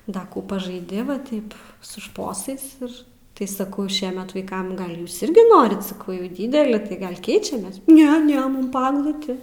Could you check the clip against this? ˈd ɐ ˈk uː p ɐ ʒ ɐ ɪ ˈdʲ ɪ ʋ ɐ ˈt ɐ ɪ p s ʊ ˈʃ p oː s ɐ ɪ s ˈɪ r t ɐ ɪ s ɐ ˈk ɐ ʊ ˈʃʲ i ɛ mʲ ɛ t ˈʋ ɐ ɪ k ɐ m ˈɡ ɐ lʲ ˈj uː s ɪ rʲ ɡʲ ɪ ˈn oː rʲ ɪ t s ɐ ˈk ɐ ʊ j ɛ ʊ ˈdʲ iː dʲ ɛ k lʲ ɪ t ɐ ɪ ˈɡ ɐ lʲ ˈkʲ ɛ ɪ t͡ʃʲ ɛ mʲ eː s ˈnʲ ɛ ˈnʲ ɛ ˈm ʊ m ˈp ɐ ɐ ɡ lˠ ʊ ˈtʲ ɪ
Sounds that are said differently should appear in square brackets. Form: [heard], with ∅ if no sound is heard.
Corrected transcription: ˈd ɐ ˈk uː p ɐ ʒ ɐ ɪ ˈdʲ ɪ ʋ ɐ ˈt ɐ ɪ p s ʊ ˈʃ p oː s ɐ ɪ s ˈɪ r t ɐ ɪ s ɐ ˈk ɐ ʊ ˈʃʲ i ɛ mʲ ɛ t ˈʋ ɐ ɪ k ɐ m ˈɡ ɐ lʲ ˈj uː s ɪ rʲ ɡʲ ɪ ˈn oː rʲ ɪ t s ɐ ˈk ɐ ʊ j ɛ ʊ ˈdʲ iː dʲ ɛ [∅] lʲ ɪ t ɐ ɪ ˈɡ ɐ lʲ ˈkʲ ɛ ɪ t͡ʃʲ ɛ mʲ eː s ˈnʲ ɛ ˈnʲ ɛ ˈm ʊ m ˈp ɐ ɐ ɡ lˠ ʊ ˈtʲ ɪ